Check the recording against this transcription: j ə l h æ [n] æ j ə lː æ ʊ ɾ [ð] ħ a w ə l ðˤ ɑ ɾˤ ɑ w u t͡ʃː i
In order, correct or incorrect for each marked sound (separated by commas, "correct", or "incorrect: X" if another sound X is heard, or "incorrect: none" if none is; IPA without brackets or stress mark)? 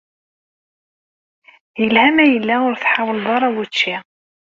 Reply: incorrect: m, incorrect: θ